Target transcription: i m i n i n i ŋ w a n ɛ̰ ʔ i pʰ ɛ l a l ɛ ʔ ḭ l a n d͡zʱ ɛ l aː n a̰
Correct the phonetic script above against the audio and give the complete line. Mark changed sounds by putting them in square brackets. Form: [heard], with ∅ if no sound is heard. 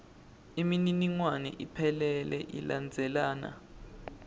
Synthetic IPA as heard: i m i n i n i ŋ w a n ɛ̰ ʔ i pʰ ɛ l [ɛ] l ɛ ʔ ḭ l a n d͡zʱ ɛ l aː n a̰